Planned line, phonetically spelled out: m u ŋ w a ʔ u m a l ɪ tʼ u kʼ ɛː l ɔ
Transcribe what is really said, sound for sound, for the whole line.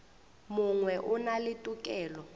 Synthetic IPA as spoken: m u ŋ w ɛ ʔ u n a l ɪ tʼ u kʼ ɛː l ɔ